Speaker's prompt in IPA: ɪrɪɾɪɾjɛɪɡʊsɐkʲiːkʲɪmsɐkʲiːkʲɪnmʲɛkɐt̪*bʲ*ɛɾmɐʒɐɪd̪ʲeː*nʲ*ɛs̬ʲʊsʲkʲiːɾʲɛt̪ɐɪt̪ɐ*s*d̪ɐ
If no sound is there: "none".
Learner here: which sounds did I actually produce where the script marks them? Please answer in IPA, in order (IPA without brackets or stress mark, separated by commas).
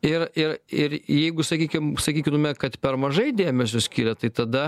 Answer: pʲ, mʲ, none